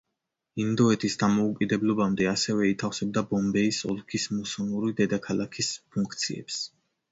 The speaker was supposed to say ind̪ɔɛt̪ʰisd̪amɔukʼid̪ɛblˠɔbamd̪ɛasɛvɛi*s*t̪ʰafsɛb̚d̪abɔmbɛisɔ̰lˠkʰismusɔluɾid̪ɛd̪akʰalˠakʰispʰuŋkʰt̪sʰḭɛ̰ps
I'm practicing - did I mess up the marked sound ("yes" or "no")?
yes